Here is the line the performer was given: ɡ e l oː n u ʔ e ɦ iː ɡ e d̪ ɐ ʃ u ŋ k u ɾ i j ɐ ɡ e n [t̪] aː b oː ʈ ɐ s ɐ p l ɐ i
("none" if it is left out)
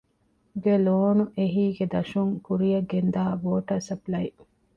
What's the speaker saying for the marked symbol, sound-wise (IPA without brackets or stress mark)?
d̪